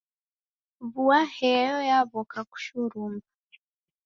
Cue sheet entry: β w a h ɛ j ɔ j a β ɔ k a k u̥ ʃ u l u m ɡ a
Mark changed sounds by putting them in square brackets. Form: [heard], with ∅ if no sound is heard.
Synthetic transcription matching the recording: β [u] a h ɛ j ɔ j a β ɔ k a k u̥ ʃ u [ɾ] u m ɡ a